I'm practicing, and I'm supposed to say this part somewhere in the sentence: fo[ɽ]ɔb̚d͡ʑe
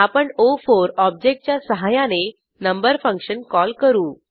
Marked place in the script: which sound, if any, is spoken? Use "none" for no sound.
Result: ɾ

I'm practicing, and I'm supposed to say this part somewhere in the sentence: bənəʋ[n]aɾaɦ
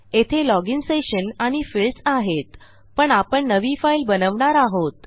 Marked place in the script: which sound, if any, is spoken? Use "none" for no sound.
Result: ɳ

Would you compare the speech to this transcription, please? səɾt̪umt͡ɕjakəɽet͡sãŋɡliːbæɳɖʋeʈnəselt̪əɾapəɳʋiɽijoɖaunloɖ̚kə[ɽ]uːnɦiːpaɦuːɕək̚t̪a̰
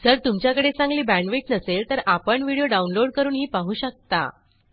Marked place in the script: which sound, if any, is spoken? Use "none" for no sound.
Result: ɾ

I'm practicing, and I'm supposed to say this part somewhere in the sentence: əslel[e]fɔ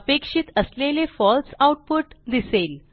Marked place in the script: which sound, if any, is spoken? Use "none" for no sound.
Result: e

